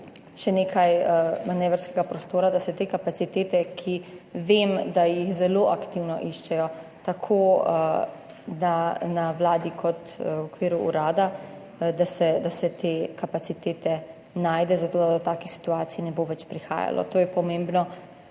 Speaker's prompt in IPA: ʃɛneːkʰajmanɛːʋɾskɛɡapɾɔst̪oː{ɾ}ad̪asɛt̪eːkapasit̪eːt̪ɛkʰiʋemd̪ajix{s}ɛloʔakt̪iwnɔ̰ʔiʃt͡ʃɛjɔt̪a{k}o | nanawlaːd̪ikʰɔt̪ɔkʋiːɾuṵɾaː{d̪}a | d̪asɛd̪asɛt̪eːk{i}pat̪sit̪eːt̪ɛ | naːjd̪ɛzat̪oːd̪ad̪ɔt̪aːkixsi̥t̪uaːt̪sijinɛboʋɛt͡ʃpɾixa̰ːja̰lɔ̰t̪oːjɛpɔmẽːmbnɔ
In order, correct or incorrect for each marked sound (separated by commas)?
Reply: correct, incorrect, incorrect, correct, incorrect